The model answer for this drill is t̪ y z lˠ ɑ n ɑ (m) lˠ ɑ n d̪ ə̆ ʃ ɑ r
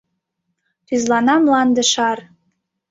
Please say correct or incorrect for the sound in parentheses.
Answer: correct